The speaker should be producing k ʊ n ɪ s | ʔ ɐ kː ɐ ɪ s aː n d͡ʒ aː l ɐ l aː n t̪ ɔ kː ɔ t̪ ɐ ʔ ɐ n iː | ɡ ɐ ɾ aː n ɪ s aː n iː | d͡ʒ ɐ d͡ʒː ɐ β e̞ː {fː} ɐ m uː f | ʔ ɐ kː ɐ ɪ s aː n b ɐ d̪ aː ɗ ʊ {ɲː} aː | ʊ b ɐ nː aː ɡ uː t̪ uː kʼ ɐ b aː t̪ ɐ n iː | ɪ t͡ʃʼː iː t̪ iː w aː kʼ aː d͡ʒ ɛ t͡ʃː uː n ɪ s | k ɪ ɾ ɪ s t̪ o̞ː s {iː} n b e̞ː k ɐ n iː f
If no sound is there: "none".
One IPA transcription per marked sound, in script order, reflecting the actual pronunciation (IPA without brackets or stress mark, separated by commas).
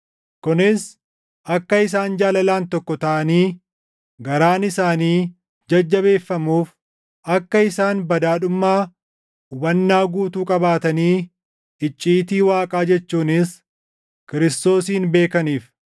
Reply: fː, mː, iː